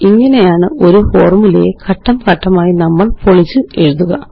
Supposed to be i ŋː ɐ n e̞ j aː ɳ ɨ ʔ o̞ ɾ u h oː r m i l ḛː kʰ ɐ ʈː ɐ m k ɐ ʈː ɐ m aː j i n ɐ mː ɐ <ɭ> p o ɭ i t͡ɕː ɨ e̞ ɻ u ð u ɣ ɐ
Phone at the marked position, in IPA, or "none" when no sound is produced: ɭ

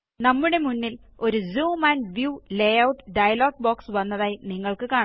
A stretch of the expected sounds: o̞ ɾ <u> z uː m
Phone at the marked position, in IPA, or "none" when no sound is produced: u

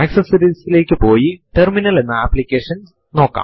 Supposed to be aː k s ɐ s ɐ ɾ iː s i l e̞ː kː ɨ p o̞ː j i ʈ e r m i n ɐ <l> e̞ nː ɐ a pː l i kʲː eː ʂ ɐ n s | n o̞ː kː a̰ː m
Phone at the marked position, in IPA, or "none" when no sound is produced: l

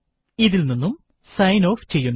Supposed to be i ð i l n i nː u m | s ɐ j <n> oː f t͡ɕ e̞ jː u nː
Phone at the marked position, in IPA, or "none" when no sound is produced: n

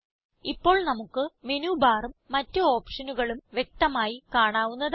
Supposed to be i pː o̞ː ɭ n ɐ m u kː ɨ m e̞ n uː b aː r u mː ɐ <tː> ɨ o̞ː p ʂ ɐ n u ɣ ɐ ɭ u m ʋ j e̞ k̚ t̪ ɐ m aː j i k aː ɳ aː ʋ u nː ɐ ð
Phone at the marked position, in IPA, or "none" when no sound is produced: tː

